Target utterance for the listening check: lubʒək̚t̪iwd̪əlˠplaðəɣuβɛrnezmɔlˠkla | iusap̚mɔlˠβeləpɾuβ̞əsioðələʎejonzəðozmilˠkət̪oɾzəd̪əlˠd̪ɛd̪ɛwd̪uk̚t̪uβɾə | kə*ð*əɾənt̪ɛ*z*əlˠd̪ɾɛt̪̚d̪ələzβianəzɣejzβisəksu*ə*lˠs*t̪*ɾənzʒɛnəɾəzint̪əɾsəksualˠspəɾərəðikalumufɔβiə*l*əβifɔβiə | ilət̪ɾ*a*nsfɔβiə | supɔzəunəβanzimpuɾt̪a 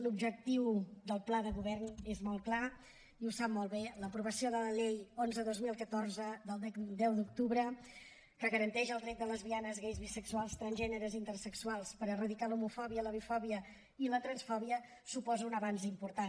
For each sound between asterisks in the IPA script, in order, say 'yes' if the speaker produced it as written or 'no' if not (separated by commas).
no, no, no, yes, yes, no